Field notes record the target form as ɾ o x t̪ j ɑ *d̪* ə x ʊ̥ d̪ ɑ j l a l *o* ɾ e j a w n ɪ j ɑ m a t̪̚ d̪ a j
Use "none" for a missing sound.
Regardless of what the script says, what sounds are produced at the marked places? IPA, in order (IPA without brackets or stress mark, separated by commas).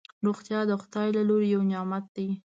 d̪, o